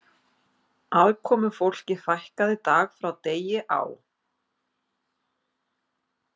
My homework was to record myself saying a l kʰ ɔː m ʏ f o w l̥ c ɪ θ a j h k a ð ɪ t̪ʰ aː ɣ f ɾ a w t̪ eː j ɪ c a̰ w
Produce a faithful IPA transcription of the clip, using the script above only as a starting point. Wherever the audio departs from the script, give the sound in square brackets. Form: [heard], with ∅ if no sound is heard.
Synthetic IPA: a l kʰ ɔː m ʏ f o w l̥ c ɪ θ a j h k a ð ɪ [t̪] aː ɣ f ɾ a w t̪ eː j ɪ [ʔ] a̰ w